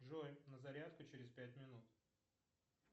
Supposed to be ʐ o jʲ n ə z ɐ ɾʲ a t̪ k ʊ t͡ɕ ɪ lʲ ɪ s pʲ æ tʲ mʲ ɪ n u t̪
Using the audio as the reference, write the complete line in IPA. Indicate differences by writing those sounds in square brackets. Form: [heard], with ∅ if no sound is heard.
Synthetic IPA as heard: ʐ o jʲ n ə z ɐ ɾʲ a t̪ k ʊ t͡ɕ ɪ [ɾʲ] ɪ s pʲ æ tʲ mʲ ɪ n u t̪